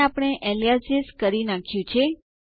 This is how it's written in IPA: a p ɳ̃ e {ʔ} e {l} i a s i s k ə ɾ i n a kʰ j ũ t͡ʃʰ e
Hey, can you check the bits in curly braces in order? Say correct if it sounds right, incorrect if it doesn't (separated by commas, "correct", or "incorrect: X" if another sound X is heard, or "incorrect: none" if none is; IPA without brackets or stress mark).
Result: correct, correct